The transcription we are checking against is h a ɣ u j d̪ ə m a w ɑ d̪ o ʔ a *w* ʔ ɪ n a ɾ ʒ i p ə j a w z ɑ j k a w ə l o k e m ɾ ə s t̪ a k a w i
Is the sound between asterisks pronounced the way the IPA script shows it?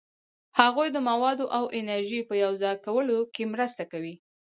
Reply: yes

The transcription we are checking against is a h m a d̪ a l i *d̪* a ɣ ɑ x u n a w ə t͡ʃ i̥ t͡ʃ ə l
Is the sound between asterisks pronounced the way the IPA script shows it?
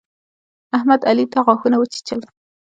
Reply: no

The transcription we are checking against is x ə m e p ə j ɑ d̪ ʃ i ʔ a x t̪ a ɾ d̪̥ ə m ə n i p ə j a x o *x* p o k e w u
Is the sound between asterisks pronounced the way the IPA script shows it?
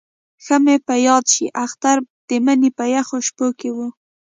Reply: no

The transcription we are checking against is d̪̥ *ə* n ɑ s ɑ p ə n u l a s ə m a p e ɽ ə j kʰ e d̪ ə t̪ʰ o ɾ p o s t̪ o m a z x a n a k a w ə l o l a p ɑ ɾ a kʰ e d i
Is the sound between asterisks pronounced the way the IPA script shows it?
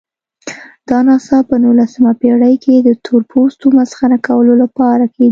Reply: no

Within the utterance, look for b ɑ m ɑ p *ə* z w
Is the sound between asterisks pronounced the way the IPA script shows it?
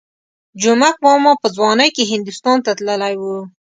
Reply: yes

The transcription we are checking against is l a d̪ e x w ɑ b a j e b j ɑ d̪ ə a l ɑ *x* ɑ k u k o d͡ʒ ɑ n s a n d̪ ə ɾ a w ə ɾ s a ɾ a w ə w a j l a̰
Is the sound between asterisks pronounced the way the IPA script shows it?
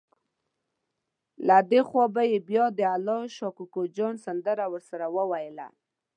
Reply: no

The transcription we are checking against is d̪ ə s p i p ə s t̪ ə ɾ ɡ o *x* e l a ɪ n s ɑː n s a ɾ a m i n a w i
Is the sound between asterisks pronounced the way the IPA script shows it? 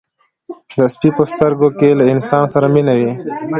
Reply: no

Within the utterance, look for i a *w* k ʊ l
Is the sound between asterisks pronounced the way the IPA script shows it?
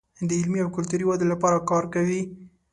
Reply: yes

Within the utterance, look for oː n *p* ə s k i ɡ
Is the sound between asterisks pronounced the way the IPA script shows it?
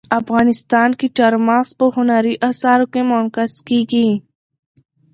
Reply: no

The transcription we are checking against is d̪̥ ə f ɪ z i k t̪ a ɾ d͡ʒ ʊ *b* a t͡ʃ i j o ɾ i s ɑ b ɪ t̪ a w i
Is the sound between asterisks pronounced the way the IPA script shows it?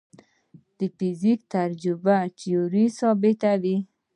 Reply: yes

